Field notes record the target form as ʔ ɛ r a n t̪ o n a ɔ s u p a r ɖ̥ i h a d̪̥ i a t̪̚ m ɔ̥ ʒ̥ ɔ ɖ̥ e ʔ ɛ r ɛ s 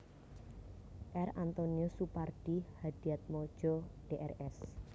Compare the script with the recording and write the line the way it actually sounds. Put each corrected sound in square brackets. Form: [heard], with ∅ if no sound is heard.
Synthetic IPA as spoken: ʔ ɛ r a n t̪ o n [i] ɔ s u p a r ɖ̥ i h a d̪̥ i a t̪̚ m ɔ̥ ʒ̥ ɔ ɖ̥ e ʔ ɛ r ɛ s